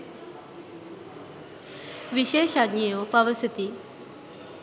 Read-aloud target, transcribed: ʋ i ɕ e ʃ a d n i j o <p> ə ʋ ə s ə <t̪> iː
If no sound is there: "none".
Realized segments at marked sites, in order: p, t̪

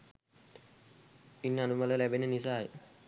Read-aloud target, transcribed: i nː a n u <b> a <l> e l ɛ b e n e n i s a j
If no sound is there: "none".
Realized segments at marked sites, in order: m, l

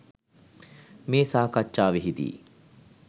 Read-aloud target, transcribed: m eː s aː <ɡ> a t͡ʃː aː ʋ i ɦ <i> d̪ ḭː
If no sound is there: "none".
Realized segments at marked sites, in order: k, i

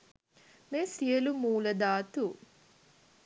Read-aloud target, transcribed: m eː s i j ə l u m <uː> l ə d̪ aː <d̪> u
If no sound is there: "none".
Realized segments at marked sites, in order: uː, t̪

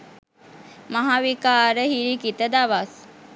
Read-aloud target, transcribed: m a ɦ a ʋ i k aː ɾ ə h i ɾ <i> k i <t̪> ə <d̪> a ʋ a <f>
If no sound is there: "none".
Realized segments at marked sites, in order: i, t̪, d̪, s

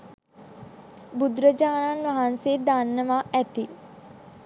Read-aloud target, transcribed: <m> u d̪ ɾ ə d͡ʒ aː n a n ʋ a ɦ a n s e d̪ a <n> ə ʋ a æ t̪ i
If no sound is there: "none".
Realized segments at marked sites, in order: b, nː

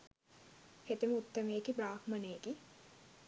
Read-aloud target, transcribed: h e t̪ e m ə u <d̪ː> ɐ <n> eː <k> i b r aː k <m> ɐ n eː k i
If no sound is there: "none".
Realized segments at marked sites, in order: t̪ː, m, k, m

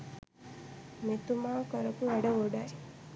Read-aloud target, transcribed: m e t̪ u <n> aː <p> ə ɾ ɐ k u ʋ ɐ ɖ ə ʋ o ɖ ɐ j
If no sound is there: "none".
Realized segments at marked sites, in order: m, k

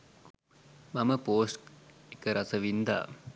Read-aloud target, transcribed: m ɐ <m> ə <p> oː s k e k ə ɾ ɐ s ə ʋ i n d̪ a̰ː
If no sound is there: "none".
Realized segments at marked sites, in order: m, p

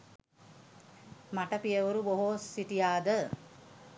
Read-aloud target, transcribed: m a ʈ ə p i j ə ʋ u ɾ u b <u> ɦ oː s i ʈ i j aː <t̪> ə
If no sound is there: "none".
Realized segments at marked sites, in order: o, d̪

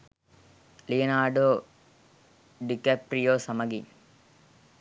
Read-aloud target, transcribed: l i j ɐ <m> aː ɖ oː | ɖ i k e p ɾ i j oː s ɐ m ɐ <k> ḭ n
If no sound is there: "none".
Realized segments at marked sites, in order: n, ɡ

